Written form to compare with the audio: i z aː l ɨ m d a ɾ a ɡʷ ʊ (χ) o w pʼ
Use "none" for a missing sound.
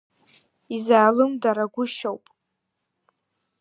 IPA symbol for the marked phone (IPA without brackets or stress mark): ʃ